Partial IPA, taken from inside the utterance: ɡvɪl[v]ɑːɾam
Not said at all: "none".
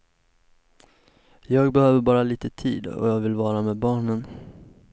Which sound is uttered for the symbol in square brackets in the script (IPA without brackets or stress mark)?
v